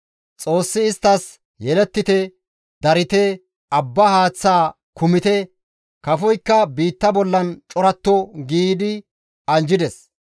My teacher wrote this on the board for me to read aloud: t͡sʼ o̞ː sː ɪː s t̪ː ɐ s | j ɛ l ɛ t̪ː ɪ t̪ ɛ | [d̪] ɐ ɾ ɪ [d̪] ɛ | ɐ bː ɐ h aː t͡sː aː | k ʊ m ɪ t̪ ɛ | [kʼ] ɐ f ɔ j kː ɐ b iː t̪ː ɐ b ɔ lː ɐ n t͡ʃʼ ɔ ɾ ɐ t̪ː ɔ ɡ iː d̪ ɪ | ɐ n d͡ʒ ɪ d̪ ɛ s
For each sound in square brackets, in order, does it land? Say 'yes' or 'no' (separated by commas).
yes, no, no